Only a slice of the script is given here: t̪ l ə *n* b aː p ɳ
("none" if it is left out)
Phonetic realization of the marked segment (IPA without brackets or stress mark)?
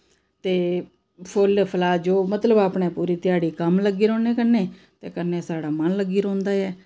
none